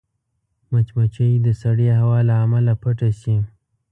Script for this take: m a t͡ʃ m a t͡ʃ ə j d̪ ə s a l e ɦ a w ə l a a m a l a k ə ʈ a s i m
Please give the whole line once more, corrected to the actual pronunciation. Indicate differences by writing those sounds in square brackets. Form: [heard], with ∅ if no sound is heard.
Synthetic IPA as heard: m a t͡ʃ m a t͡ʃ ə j d̪ ə s a [ɽ] e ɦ a w [ɑ] l a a m a l a [p] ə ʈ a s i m

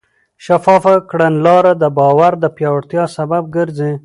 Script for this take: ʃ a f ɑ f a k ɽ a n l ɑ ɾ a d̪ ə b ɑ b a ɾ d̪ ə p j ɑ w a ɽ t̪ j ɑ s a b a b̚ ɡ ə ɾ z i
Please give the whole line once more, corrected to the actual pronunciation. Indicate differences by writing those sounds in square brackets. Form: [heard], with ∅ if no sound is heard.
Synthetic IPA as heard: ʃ a f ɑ f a k ɽ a n l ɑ ɾ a d̪ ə b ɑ [w] a ɾ d̪ ə p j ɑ w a ɽ t̪ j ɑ s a b a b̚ ɡ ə ɾ z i

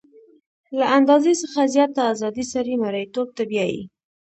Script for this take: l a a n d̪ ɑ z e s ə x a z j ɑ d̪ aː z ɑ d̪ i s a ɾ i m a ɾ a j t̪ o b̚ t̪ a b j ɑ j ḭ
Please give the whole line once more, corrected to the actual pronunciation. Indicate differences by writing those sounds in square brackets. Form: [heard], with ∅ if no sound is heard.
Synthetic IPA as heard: l a a n d̪ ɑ z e s ə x a z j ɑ [t̪] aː z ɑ d̪ i s a ɾ i m a ɾ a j t̪ o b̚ t̪ a b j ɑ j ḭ

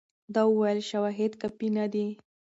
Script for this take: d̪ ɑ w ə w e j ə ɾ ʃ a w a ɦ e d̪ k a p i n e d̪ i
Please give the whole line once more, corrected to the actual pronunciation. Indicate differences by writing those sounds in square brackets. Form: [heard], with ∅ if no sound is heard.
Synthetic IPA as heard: d̪ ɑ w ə w [a] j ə [l] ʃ a w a ɦ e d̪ k a p i n [a] d̪ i

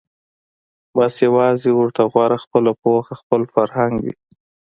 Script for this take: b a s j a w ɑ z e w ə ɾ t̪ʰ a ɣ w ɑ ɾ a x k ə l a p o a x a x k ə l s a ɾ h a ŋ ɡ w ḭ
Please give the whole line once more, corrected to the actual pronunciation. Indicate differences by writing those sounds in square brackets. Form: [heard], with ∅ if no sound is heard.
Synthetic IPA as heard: b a s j a w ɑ z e w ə ɾ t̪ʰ a ɣ w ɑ ɾ a x [p] ə l a p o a x a x [p] ə l [f] a ɾ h a ŋ ɡ w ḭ

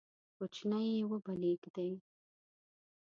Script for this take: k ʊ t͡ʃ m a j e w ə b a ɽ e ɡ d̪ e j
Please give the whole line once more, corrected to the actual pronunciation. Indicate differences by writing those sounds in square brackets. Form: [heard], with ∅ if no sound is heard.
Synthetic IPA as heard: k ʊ t͡ʃ [n] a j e w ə b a [l] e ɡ d̪ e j

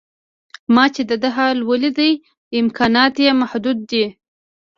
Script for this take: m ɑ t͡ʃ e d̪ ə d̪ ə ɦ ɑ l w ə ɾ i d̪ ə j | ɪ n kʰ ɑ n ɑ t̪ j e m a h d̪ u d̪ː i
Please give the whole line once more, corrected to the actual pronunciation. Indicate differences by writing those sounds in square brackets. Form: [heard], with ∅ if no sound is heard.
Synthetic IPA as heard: m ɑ t͡ʃ e d̪ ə d̪ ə ɦ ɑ l w ə [l] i d̪ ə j | ɪ [m] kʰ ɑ n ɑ t̪ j e m a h d̪ u d̪ː i

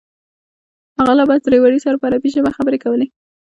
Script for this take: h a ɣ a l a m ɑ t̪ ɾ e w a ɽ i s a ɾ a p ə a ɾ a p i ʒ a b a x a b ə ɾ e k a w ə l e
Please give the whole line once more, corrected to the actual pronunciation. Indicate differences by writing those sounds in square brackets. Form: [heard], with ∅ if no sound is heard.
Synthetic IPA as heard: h a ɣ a l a [b] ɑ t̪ ɾ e w a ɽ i s a ɾ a p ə a ɾ a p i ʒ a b a x a b ə ɾ e k a w ə l e

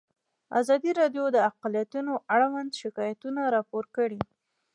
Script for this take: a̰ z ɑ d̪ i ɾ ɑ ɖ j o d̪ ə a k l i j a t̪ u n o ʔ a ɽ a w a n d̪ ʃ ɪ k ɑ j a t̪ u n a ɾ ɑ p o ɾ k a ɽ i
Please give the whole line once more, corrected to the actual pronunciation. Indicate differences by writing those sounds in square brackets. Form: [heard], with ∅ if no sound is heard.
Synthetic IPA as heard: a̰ z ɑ d̪ i ɾ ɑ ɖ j o d̪ ə a [q] l i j a t̪ u n o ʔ a ɽ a w a n d̪ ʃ ɪ k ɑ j a t̪ u n a ɾ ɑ p o ɾ k [ə] ɽ i

